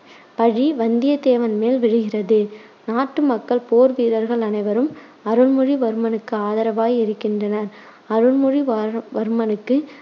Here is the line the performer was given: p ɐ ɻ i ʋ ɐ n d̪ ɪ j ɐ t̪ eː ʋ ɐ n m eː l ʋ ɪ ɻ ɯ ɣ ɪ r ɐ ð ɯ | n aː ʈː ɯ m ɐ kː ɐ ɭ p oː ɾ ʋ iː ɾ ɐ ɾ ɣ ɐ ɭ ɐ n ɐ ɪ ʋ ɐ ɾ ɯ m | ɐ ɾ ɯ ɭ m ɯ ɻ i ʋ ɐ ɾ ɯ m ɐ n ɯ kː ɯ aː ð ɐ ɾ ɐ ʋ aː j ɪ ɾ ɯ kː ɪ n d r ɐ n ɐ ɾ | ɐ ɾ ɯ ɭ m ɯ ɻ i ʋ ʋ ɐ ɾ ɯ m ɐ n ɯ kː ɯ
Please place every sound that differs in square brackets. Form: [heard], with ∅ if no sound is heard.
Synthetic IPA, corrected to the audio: p ɐ ɻ i ʋ ɐ n d̪ ɪ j ɐ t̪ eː ʋ ɐ n m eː l ʋ ɪ ɻ ɯ ɣ ɪ r ɐ ð ɯ | n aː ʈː ɯ m ɐ kː ɐ ɭ p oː ɾ ʋ iː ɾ ɐ ɾ ɣ ɐ ɭ ɐ n ɐ ɪ ʋ ɐ ɾ ɯ m | ɐ ɾ ɯ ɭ m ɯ ɻ i ʋ ɐ ɾ ɯ m ɐ n ɯ kː ɯ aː ð ɐ ɾ ɐ ʋ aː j ɪ ɾ ɯ kː ɪ n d r ɐ n ɐ ɾ | ɐ ɾ ɯ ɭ m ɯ ɻ i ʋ ʋ ɐ ɾ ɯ m ɐ n ɯ kː ɯ